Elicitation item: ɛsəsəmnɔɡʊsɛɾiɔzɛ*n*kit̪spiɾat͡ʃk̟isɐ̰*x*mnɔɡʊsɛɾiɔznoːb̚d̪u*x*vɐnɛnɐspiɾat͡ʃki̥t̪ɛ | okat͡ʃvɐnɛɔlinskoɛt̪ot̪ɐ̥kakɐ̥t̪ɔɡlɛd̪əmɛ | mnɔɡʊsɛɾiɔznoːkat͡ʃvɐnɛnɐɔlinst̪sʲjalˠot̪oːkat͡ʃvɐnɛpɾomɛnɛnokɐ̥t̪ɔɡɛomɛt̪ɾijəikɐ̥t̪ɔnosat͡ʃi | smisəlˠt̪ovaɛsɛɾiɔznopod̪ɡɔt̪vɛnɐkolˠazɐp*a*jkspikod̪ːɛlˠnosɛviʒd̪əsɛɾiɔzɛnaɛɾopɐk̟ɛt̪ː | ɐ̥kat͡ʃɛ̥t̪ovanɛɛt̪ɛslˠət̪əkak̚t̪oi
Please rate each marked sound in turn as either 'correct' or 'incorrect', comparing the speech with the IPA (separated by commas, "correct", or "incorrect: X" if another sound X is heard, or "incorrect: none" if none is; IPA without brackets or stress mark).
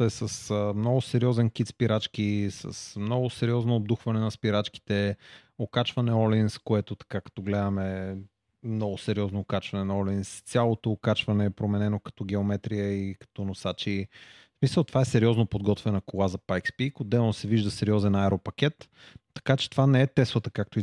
correct, incorrect: s, correct, correct